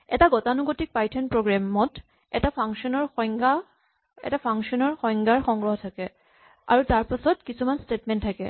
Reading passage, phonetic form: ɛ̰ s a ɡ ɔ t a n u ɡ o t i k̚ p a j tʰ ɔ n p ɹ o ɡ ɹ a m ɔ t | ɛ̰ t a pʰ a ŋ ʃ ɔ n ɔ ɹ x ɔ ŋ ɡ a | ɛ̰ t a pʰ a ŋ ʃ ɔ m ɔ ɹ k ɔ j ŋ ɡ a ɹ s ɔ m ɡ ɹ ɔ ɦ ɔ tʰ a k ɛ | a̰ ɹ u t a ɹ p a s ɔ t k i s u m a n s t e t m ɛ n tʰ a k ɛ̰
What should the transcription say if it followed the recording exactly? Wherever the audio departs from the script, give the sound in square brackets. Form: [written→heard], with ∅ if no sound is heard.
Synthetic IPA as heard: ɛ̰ [s→t] a ɡ ɔ t a n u ɡ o t i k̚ p a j tʰ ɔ n p ɹ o ɡ ɹ a m ɔ t | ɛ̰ t a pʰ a ŋ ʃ ɔ n ɔ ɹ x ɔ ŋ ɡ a | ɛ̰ t a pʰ a ŋ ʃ ɔ [m→n] ɔ ɹ [k→x] ɔ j ŋ ɡ a ɹ [s→x] ɔ [m→ŋ] ɡ ɹ ɔ ɦ ɔ tʰ a k ɛ | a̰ ɹ u t a ɹ p a s ɔ t k i s u m a n s t e t m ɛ n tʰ a k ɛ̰